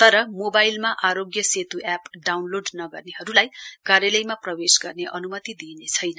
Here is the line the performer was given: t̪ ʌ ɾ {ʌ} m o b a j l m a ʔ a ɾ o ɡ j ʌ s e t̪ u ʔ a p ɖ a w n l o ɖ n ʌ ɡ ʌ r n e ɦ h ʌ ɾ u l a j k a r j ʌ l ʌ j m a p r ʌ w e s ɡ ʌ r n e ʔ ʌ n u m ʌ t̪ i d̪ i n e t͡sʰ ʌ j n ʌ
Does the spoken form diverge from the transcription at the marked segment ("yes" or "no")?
no